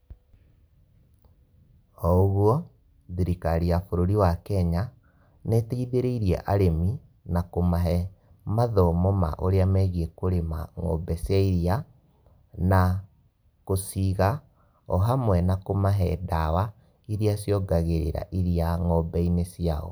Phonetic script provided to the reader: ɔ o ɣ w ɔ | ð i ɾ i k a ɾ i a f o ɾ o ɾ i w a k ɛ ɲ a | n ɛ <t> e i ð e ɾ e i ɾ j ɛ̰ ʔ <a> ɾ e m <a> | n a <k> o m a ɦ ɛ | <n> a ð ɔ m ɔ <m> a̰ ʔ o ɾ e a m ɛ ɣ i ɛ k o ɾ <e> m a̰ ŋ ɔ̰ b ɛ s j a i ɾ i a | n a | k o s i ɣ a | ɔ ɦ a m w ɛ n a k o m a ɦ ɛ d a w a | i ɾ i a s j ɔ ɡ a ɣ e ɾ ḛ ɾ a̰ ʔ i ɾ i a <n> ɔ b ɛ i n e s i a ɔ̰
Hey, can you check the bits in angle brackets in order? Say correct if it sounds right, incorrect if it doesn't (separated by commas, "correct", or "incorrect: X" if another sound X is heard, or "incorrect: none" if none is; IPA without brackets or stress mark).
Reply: correct, correct, incorrect: i, correct, incorrect: m, correct, correct, incorrect: ŋ